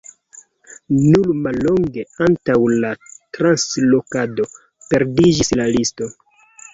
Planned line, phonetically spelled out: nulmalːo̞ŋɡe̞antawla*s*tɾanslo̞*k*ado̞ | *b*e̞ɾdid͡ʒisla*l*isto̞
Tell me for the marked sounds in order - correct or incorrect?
incorrect, correct, incorrect, correct

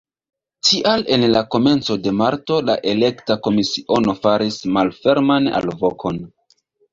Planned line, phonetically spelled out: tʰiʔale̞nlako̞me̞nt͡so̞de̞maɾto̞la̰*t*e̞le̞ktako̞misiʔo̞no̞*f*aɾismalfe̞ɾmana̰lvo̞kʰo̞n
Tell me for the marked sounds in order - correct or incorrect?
incorrect, correct

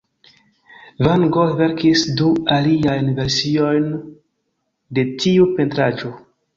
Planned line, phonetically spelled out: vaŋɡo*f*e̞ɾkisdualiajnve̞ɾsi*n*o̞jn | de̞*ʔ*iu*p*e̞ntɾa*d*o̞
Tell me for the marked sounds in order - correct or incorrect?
incorrect, incorrect, incorrect, correct, incorrect

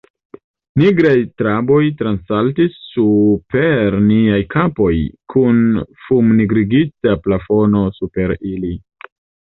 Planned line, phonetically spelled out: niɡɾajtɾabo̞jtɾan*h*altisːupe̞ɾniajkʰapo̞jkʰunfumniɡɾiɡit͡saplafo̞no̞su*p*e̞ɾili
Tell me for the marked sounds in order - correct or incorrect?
incorrect, correct

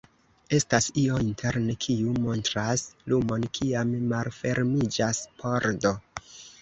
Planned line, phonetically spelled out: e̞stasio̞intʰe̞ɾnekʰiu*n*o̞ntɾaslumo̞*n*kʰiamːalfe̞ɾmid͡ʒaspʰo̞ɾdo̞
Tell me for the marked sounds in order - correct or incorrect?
incorrect, correct

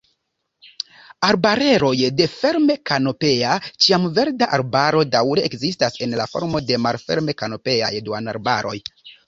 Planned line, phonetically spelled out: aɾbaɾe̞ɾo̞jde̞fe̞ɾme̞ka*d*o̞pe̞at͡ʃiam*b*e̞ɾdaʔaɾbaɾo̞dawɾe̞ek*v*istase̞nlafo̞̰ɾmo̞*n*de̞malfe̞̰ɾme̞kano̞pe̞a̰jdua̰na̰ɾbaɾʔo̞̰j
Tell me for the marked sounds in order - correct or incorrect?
incorrect, incorrect, incorrect, incorrect

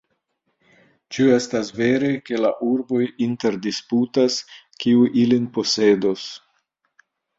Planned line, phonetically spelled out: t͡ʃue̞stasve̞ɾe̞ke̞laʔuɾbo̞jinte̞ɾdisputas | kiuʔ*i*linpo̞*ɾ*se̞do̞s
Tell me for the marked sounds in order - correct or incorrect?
correct, incorrect

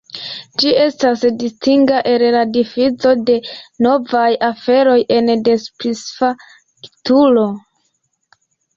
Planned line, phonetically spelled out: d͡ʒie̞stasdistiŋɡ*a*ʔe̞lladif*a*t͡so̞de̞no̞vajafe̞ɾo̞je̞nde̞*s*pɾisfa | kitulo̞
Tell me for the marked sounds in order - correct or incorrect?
correct, incorrect, correct

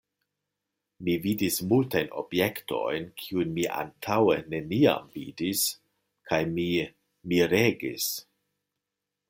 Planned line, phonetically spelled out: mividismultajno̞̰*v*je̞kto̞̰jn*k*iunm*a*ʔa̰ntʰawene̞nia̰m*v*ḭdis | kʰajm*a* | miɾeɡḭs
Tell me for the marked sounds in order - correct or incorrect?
incorrect, incorrect, incorrect, correct, incorrect

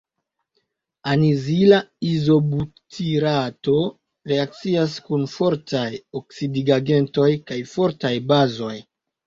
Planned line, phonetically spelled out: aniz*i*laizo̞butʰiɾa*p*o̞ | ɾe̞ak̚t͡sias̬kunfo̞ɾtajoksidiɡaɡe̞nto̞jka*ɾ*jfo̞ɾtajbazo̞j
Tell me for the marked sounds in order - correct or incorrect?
correct, incorrect, incorrect

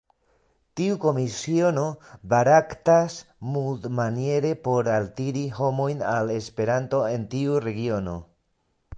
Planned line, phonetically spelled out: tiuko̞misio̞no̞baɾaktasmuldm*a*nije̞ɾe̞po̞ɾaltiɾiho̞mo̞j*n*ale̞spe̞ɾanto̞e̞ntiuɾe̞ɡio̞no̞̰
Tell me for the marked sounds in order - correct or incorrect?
correct, correct

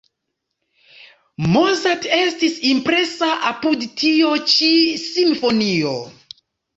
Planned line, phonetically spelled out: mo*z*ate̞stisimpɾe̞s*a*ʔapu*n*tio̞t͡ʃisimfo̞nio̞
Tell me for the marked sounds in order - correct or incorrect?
correct, correct, incorrect

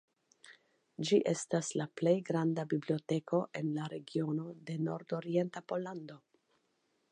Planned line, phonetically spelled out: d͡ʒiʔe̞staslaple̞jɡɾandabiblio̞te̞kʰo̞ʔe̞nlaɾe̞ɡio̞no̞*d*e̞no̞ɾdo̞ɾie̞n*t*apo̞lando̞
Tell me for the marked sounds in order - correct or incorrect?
correct, correct

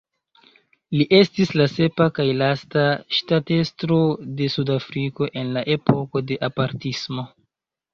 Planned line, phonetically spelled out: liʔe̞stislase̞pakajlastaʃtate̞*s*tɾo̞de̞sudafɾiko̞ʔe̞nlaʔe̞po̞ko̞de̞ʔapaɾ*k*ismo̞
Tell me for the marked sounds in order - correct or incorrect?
correct, incorrect

